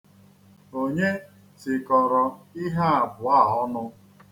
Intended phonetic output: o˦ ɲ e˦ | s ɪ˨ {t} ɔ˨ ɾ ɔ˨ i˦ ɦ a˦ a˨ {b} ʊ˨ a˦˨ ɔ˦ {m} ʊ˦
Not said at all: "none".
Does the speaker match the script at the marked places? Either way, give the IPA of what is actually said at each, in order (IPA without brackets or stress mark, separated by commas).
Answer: k, b, n